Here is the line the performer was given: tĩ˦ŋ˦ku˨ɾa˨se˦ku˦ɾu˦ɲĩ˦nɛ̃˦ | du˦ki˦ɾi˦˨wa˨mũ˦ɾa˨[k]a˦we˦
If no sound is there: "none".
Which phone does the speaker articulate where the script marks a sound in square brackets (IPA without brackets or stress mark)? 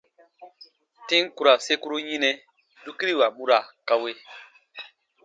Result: k